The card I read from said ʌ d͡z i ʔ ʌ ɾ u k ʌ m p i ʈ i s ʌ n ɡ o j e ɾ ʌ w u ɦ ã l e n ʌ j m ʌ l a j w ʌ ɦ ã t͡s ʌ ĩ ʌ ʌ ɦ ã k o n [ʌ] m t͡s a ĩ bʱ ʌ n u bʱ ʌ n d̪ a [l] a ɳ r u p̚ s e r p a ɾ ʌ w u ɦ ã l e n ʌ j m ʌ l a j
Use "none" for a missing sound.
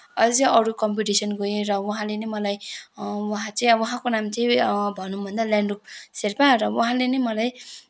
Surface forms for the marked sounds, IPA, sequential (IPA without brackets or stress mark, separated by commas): a, l